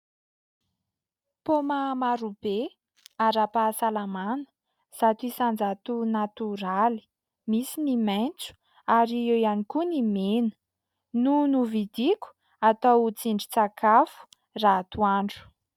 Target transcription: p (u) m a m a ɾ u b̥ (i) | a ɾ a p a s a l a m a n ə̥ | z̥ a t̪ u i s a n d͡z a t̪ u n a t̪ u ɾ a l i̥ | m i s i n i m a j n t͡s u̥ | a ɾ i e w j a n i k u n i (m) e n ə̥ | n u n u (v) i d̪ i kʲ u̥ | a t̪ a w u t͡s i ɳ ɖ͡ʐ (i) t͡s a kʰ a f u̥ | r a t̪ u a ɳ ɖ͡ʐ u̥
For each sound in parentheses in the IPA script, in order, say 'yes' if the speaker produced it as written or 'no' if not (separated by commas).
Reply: no, no, yes, yes, yes